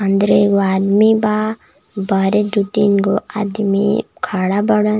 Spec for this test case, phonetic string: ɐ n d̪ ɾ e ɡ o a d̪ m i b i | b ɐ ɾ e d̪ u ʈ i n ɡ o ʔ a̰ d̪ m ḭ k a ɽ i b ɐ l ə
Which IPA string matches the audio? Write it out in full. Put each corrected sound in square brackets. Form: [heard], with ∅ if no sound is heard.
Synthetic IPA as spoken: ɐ n d̪ ɾ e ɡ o a d̪ m i b [a] | b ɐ ɾ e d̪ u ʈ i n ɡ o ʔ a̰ d̪ m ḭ [kʰ] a ɽ [a] b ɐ [ɽ] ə